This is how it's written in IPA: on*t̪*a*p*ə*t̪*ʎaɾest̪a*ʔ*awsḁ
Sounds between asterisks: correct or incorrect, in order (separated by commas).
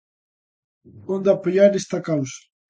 incorrect, correct, incorrect, incorrect